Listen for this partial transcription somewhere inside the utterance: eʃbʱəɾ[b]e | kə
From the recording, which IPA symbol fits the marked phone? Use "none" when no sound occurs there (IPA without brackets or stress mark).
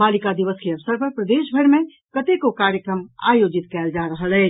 m